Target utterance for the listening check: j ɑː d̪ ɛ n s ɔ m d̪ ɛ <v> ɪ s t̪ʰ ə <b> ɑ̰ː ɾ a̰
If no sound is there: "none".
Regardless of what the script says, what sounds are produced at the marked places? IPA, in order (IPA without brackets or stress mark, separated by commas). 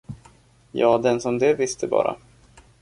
v, b